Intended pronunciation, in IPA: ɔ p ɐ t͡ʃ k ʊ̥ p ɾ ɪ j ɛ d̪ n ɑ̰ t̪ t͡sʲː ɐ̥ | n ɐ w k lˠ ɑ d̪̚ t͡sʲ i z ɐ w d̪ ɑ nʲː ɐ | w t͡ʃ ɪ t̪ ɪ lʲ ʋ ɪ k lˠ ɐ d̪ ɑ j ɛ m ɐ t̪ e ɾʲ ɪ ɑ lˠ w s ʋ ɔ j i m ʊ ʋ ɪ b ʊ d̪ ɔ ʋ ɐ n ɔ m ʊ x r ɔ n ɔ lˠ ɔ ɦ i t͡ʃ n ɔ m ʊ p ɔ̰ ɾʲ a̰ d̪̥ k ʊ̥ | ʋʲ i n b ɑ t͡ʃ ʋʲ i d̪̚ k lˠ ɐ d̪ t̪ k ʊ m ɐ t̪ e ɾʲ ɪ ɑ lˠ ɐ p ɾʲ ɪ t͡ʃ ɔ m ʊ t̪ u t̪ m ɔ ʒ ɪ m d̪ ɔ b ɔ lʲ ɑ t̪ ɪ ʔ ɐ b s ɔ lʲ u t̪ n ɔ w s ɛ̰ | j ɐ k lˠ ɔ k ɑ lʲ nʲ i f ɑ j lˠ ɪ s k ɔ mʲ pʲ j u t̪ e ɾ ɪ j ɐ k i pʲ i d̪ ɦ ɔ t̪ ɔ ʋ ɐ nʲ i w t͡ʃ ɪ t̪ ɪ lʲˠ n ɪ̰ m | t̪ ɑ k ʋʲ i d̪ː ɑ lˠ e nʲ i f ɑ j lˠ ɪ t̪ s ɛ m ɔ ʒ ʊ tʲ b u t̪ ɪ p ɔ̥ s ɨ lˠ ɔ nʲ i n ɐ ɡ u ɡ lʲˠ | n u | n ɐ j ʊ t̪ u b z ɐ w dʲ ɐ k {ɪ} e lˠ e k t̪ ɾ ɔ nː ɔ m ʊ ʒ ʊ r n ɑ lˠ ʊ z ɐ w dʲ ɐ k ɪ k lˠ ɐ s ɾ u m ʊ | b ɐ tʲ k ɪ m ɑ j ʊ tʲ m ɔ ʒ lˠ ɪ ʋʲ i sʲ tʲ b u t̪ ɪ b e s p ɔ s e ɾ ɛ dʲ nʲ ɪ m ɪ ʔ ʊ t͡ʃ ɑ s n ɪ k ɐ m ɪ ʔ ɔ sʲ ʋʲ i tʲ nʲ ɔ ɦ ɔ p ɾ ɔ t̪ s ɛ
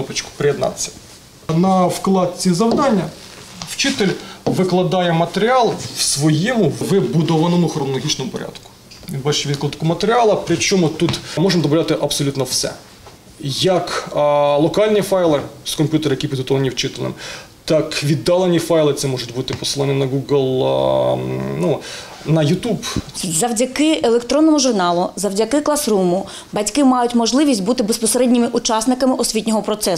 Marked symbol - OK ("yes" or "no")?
yes